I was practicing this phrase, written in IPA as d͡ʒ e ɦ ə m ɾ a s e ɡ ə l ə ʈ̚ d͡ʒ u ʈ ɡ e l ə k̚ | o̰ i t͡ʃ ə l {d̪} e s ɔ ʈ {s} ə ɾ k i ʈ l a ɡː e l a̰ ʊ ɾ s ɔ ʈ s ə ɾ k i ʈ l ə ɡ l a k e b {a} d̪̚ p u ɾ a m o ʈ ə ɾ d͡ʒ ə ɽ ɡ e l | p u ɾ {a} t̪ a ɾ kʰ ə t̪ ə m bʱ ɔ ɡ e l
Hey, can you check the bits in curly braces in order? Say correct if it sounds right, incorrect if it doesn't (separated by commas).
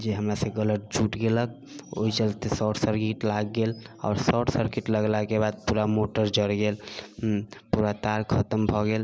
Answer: incorrect, correct, correct, correct